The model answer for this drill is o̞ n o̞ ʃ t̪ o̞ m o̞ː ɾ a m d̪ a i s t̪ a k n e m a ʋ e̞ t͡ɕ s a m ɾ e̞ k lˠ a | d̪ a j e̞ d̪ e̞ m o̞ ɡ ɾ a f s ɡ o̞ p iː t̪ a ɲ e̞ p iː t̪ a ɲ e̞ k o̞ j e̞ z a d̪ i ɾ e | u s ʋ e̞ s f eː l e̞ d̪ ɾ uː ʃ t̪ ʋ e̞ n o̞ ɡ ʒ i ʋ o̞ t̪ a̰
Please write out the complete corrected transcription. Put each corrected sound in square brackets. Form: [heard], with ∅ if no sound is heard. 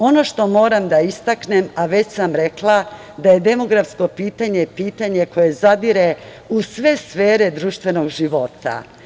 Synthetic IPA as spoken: o̞ n o̞ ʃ t̪ o̞ m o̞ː ɾ a m d̪ a i s t̪ a k n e m a ʋ e̞ t͡ɕ s a m ɾ e̞ k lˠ a | d̪ a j e̞ d̪ e̞ m o̞ ɡ ɾ a f s [k] o̞ p iː t̪ a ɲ e̞ p iː t̪ a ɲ e̞ k o̞ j e̞ z a d̪ i ɾ e | u s ʋ e̞ s f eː [ɾ] e̞ d̪ ɾ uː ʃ t̪ ʋ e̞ n o̞ ɡ ʒ i ʋ o̞ t̪ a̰